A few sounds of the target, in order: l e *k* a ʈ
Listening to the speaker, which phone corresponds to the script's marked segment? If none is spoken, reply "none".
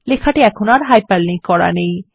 kʰ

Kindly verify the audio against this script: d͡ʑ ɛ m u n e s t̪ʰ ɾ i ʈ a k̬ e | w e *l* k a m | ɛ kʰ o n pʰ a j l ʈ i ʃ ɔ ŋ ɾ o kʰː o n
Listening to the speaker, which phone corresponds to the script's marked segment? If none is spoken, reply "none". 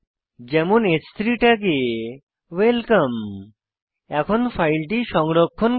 l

